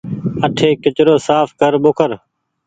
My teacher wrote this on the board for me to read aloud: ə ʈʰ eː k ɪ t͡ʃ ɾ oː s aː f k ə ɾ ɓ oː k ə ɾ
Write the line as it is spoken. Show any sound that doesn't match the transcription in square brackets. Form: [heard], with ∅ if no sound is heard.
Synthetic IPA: ə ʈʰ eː k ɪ t͡ʃ ɾ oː s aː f k ə ɾ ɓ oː k ə ɾ